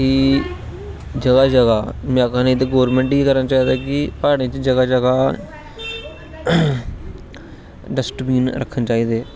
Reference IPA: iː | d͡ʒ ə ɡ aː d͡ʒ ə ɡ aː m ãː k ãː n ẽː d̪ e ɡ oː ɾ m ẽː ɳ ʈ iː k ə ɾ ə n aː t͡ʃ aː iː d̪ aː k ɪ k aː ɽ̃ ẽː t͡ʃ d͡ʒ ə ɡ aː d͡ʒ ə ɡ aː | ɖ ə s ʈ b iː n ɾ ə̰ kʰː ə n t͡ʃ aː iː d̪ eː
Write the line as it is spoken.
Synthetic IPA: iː | d͡ʒ ə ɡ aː d͡ʒ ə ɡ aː m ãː k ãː n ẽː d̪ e ɡ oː ɾ m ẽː ɳ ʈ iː k ə ɾ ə n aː t͡ʃ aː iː d̪ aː k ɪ p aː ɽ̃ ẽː t͡ʃ d͡ʒ ə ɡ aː d͡ʒ ə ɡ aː | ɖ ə s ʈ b iː n ɾ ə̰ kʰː ə n t͡ʃ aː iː d̪ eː